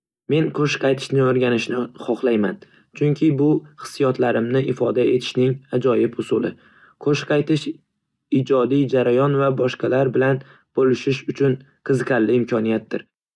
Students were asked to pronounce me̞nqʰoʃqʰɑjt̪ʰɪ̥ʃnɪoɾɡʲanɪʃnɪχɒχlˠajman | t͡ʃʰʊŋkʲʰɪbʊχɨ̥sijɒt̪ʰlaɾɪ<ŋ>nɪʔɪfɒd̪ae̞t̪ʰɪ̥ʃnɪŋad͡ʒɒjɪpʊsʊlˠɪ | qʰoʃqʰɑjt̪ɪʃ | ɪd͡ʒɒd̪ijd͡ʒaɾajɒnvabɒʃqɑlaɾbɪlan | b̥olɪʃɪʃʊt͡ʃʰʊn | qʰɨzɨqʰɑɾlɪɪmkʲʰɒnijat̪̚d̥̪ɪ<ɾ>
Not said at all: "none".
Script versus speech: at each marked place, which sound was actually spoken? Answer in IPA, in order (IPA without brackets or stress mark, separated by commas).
m, ɾ